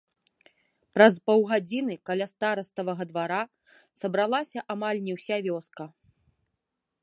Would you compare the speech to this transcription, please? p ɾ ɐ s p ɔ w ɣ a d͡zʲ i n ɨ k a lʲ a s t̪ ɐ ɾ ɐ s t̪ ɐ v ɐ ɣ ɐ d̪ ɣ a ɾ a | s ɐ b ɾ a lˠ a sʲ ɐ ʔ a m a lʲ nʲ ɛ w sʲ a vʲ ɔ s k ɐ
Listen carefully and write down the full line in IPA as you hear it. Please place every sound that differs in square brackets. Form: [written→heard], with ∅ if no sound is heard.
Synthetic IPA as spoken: p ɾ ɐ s p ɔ w ɣ a d͡zʲ i n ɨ k a lʲ a s t̪ [ɐ→a] ɾ ɐ s t̪ ɐ v ɐ ɣ ɐ d̪ [ɣ→v] a ɾ a | s ɐ b ɾ a lˠ a sʲ ɐ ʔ a m a lʲ nʲ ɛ w sʲ a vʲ ɔ s k ɐ